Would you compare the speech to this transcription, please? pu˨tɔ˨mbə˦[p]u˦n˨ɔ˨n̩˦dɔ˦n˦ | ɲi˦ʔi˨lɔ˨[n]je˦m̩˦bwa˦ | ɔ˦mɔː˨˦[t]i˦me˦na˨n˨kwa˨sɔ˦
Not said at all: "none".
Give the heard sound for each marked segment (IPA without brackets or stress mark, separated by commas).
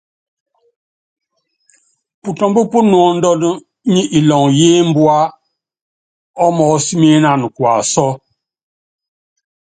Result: p, ŋ, s